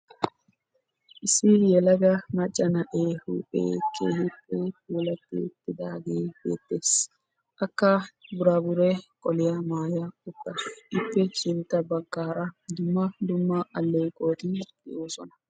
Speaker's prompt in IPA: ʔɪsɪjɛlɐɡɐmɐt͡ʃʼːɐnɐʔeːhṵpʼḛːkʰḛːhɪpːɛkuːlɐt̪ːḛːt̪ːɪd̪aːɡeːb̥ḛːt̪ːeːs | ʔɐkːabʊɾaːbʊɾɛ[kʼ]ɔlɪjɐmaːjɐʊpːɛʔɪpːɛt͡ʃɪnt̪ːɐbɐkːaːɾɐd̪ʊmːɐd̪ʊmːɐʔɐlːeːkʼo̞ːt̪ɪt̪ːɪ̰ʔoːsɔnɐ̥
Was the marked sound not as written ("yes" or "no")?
no